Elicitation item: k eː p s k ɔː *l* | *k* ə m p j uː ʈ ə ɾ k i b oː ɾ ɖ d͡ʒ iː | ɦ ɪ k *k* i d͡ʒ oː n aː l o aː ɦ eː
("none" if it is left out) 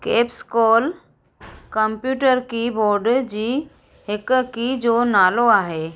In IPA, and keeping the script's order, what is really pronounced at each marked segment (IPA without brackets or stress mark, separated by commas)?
l, k, k